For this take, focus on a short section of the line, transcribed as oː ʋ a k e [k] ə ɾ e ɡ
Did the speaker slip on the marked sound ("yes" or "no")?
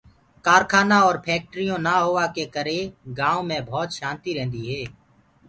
no